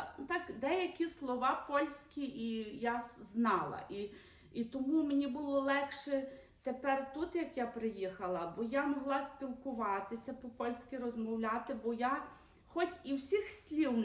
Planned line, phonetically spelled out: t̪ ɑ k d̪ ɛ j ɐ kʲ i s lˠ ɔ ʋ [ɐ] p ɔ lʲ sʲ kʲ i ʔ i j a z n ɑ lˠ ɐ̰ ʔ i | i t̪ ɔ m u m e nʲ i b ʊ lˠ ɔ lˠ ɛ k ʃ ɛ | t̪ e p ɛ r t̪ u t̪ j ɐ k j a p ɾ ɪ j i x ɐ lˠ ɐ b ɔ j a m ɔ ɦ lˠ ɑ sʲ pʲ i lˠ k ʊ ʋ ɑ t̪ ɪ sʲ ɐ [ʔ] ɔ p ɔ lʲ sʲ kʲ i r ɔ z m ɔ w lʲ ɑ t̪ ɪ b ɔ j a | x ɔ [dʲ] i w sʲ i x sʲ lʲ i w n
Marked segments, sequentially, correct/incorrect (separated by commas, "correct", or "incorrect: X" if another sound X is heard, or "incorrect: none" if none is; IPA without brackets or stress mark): incorrect: ɑ, incorrect: p, incorrect: tʲ